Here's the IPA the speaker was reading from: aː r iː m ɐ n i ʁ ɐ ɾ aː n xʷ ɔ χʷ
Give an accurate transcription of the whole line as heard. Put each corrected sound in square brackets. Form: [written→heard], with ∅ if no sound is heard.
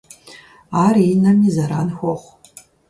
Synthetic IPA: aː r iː [m→n] ɐ [n→m] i [ʁ→z] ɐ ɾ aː n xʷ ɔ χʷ